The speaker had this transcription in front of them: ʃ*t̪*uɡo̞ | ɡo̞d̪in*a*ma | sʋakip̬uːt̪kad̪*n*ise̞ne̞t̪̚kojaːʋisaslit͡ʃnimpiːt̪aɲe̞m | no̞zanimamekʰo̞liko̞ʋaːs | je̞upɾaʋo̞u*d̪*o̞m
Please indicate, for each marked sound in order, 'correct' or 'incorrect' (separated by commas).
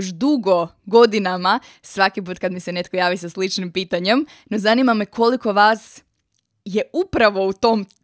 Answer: incorrect, correct, incorrect, incorrect